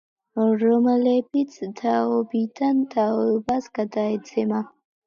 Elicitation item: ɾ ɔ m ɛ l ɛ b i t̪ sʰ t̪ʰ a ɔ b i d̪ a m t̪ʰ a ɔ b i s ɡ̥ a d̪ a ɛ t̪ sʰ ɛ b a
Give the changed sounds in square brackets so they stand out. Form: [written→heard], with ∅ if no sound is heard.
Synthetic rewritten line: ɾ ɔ m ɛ l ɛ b i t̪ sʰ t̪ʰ a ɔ b i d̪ a [m→n] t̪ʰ a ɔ b [i→a] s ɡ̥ a d̪ a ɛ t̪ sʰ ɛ [b→m] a